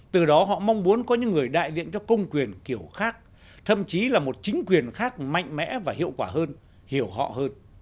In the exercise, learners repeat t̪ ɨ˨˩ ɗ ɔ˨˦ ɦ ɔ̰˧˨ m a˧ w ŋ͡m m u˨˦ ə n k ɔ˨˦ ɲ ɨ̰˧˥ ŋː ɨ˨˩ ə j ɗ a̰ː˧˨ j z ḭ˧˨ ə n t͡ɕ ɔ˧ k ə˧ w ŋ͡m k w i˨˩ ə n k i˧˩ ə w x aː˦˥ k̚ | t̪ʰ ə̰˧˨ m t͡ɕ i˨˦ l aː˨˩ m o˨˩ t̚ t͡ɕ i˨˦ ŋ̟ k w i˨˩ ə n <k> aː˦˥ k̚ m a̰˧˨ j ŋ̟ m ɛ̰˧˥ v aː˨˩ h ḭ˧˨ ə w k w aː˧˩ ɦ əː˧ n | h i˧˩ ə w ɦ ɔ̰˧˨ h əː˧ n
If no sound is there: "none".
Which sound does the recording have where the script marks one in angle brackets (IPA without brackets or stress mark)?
x